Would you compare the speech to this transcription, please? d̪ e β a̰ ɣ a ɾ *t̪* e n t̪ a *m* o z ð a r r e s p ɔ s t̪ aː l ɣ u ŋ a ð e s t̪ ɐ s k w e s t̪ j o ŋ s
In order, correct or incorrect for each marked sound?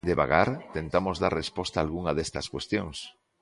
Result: correct, correct

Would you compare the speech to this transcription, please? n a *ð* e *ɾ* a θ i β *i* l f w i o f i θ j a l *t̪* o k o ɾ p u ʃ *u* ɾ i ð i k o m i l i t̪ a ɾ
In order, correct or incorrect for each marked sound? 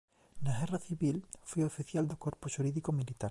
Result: incorrect: ɣ, incorrect: r, correct, incorrect: d̪, correct

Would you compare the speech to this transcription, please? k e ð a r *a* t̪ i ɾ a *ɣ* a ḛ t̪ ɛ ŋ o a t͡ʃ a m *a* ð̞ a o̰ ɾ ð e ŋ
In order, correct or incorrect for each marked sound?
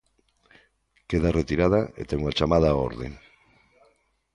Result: incorrect: e, incorrect: ð, correct

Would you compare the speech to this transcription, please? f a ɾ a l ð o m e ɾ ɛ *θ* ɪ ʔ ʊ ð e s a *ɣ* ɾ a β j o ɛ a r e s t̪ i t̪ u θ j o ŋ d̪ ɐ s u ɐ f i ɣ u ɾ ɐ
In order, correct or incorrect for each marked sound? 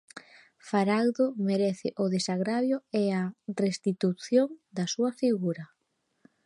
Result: correct, correct

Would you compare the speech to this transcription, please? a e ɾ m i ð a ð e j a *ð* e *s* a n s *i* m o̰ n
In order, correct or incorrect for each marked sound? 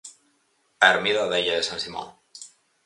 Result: correct, correct, correct

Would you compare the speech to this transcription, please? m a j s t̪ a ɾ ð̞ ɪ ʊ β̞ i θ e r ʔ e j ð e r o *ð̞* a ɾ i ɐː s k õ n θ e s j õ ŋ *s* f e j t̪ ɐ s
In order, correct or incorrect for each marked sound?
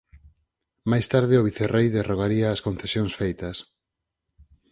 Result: incorrect: ɣ̞, correct

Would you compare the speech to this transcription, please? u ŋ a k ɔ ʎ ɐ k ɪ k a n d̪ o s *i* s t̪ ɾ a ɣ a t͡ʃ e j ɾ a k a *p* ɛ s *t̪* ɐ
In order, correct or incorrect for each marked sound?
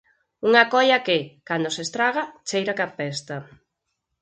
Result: incorrect: e, correct, correct

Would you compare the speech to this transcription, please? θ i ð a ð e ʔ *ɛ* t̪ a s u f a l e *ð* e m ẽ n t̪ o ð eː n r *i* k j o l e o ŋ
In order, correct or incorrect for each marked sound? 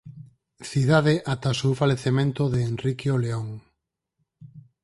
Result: incorrect: a, incorrect: θ, correct

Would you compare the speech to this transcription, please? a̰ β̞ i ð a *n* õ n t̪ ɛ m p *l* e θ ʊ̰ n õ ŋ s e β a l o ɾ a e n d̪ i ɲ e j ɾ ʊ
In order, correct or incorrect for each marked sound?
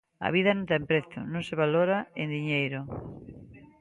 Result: correct, incorrect: ɾ

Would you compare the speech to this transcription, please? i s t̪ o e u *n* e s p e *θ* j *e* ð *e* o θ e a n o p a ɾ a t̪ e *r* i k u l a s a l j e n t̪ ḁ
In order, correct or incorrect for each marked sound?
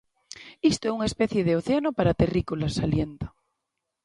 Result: incorrect: ŋ, correct, correct, correct, correct

